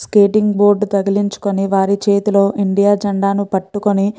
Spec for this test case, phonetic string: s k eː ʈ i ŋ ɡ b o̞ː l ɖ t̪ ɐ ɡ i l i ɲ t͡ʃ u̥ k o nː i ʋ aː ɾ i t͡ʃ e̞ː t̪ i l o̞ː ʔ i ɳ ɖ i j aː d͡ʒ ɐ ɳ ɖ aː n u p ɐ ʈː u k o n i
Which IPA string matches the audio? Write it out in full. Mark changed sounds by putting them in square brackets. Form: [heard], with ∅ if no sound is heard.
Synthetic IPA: s k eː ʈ i ŋ ɡ b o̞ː [ɾ] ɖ t̪ ɐ ɡ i l i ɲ t͡ʃ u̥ k o [n] i ʋ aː ɾ i t͡ʃ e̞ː t̪ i l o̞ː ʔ i ɳ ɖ i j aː d͡ʒ ɐ ɳ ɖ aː n u p ɐ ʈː u k o n i